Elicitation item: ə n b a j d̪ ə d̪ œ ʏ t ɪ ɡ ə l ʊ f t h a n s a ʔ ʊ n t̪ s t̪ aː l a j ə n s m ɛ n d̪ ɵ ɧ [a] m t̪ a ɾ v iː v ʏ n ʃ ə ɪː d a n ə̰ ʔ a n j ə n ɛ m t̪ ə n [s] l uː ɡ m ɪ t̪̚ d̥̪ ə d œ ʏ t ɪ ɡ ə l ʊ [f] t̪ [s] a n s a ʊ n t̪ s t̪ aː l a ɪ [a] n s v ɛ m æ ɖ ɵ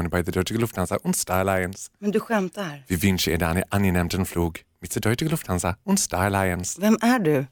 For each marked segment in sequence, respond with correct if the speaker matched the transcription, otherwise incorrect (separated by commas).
incorrect, incorrect, correct, incorrect, incorrect